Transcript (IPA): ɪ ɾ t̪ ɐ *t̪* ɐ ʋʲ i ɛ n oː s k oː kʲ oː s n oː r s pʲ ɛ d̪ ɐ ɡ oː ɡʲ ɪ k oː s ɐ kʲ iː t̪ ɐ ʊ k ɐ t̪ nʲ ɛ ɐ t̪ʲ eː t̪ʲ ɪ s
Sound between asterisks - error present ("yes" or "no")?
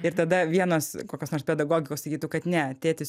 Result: yes